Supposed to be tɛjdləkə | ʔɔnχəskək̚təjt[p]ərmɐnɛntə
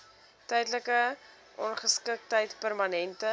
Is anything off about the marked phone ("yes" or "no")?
no